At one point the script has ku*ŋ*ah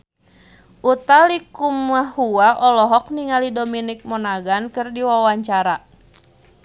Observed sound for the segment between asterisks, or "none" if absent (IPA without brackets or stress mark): m